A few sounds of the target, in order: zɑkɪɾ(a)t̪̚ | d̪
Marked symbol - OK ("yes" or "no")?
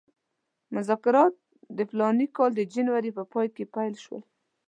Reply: no